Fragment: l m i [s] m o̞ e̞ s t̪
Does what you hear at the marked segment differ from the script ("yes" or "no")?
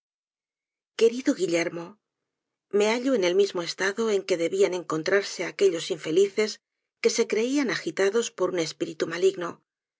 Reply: yes